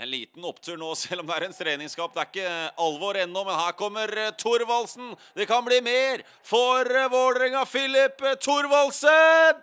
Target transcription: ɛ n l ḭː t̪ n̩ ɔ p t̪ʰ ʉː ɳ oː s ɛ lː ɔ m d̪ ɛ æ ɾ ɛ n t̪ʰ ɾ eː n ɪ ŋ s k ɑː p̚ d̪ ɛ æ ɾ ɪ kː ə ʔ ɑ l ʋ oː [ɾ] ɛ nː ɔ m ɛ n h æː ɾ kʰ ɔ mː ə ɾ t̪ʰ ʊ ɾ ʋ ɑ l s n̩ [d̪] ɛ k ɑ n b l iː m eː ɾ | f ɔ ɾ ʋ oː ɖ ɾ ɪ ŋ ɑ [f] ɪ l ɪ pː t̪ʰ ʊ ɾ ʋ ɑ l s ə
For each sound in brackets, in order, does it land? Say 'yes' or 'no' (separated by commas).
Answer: yes, yes, yes